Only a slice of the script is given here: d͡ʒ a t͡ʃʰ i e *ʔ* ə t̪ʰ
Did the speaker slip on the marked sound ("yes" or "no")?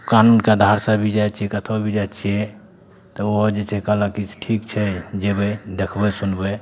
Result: yes